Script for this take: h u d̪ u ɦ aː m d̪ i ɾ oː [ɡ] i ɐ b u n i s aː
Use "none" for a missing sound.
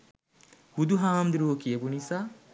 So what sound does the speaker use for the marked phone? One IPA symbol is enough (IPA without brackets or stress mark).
k